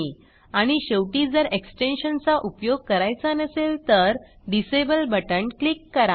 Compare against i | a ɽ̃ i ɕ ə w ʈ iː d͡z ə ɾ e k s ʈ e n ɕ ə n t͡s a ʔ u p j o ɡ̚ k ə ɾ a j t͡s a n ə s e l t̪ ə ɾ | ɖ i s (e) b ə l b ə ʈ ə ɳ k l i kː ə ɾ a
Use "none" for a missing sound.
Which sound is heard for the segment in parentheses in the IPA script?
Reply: e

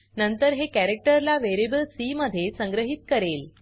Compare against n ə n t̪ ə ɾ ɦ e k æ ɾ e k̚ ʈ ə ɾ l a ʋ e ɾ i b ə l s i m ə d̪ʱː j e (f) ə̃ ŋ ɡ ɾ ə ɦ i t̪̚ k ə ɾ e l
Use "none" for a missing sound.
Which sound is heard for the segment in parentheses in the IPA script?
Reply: s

